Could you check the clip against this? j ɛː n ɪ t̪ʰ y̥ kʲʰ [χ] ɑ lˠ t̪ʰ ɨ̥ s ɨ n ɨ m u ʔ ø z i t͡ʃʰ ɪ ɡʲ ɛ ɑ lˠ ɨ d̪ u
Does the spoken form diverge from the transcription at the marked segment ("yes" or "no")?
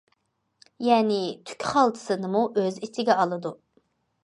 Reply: no